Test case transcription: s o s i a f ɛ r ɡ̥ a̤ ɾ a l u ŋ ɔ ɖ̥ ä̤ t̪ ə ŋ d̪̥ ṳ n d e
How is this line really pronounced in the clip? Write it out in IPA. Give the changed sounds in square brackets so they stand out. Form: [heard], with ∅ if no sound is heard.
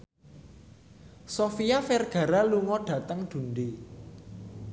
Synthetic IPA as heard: s o [f] i a f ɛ r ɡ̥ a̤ ɾ a l u ŋ ɔ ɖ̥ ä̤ t̪ ə ŋ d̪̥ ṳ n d e